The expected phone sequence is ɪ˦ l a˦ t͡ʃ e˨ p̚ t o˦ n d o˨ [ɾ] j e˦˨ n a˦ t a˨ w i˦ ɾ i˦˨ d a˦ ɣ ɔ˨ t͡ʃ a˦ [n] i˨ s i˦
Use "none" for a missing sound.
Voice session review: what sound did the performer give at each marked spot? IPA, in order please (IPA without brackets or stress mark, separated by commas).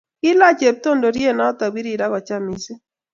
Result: ɾ, m